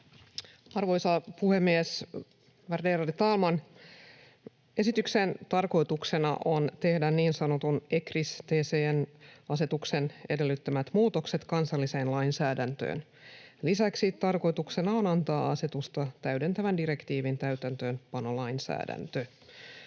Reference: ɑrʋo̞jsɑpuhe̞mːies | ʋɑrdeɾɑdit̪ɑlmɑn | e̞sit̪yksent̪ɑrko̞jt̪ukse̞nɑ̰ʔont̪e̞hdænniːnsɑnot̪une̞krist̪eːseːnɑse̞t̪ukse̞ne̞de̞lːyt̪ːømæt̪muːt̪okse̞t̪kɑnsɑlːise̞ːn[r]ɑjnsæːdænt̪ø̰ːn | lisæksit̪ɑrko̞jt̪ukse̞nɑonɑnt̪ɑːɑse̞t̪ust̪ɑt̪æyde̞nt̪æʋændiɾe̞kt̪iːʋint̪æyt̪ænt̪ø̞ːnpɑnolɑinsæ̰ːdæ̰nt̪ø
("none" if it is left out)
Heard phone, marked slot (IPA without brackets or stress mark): l